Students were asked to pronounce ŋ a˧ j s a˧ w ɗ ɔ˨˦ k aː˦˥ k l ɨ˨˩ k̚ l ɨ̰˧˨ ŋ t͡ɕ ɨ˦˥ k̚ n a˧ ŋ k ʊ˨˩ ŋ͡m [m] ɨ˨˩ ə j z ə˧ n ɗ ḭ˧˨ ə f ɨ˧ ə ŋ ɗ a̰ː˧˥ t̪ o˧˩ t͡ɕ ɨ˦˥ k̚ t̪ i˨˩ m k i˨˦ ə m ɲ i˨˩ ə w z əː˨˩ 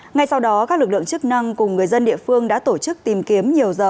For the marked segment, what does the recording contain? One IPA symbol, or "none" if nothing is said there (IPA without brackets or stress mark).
ŋ